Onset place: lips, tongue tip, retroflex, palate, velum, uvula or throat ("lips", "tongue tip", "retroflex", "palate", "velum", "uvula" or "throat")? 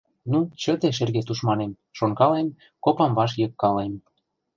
tongue tip